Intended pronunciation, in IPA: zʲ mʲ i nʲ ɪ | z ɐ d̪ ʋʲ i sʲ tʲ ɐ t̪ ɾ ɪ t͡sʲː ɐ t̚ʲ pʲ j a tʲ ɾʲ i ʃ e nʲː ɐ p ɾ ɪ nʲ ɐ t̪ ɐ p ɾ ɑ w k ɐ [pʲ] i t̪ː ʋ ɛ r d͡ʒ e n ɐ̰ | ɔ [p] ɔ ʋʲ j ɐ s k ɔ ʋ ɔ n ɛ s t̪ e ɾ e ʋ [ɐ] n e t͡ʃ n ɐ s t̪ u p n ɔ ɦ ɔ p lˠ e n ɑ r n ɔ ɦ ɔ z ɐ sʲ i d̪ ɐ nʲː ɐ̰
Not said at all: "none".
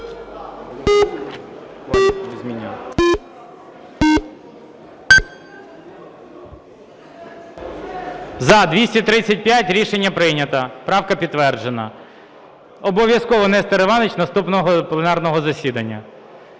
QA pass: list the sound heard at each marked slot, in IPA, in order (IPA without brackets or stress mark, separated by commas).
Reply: pʲ, b, ɑ